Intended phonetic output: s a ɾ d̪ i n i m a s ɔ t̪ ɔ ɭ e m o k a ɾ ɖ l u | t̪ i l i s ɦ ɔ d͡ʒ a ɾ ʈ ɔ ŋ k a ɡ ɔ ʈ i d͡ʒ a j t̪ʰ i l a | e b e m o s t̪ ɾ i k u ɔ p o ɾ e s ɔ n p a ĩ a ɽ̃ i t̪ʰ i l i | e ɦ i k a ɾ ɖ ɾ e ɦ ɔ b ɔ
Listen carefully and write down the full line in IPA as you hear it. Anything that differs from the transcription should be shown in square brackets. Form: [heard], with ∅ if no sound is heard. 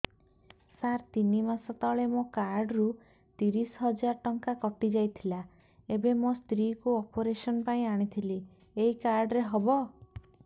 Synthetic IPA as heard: s a ɾ [t̪] i n i m a s ɔ t̪ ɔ ɭ e m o k a ɾ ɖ [ɾ] u | t̪ i [ɾ] i s ɦ ɔ d͡ʒ a ɾ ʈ ɔ ŋ k a [k] ɔ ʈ i d͡ʒ a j t̪ʰ i l a | e b e m o s t̪ ɾ i k u ɔ p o ɾ e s ɔ n p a ĩ a ɽ̃ i t̪ʰ i l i | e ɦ i k a ɾ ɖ ɾ e ɦ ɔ b ɔ